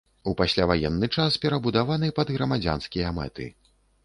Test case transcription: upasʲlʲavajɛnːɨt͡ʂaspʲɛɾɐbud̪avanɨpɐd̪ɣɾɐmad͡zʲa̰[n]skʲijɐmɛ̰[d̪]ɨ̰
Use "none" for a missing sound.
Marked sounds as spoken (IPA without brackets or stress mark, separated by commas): n, t̪